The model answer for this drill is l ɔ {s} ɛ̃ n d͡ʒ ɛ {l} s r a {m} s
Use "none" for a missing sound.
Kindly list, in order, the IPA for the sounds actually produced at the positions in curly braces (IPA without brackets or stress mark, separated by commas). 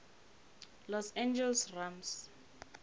s, l, m